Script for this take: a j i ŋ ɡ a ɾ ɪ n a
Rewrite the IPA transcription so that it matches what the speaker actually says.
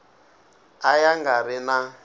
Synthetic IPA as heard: a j a ŋ ɡ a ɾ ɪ n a